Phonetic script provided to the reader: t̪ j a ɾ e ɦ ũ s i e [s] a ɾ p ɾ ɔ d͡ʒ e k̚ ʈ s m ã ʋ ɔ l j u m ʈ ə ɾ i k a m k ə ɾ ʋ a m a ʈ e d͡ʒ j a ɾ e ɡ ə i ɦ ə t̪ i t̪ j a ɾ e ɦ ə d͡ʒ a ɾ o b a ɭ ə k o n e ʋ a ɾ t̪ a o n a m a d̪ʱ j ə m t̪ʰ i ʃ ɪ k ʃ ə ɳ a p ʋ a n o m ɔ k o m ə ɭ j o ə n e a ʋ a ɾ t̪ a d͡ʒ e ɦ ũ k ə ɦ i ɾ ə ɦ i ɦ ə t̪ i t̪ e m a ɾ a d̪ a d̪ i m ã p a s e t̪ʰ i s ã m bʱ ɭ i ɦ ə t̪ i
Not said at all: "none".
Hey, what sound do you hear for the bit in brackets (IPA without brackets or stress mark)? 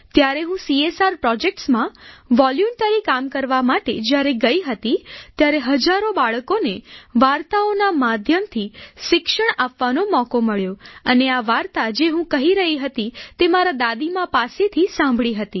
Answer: s